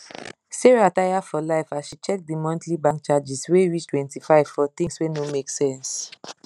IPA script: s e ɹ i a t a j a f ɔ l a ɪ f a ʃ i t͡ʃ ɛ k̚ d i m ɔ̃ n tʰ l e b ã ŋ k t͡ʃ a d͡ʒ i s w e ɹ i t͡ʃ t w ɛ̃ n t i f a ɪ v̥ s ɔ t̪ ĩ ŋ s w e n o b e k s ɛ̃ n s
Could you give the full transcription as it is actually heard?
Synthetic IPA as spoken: s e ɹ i a t a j a f ɔ l a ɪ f a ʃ i t͡ʃ ɛ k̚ d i m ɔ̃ n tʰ l i b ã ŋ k t͡ʃ a d͡ʒ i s w e ɹ i t͡ʃ t w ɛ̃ n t i f a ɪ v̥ f ɔ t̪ ĩ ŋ s w e n o m e k s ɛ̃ n s